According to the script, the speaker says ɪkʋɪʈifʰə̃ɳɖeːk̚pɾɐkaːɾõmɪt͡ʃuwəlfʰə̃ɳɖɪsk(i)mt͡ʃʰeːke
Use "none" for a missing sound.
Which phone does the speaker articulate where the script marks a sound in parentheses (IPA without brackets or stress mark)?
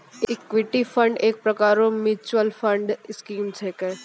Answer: iː